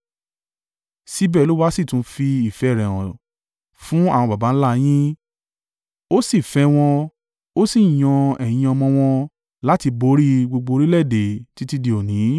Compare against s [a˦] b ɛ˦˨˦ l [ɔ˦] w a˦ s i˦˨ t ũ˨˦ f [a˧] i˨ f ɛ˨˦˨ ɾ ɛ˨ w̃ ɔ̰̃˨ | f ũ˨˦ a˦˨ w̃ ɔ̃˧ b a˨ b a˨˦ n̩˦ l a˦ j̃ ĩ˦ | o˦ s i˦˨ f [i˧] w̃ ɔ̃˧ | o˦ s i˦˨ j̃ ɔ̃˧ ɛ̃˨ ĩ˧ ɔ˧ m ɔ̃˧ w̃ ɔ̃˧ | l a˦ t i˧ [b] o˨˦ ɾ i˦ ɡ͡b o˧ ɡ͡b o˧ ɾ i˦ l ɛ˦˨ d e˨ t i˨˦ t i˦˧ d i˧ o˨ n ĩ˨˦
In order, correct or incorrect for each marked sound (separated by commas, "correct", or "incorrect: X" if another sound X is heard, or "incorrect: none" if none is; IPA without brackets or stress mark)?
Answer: incorrect: i˦, incorrect: o˦, incorrect: i˧, incorrect: ɛ˧, correct